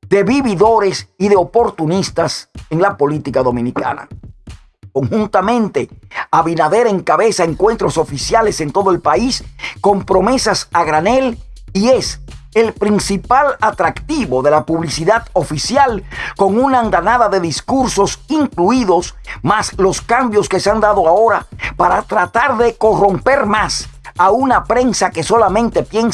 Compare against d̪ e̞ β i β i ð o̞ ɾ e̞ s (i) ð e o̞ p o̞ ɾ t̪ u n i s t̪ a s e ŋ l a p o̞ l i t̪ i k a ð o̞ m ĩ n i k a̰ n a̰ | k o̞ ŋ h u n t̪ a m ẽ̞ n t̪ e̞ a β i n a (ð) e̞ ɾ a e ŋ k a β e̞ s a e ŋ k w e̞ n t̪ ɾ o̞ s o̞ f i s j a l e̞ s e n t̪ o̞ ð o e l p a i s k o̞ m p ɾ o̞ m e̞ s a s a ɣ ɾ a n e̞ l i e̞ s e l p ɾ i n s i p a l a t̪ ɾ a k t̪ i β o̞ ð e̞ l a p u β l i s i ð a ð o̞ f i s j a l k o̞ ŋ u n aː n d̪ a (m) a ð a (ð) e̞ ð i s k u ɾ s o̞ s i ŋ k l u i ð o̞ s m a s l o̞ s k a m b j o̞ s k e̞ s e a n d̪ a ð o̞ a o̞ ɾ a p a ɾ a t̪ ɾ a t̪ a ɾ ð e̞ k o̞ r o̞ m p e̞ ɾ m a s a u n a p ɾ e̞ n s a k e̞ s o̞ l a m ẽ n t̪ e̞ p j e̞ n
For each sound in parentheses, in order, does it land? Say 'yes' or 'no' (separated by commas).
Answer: yes, yes, no, yes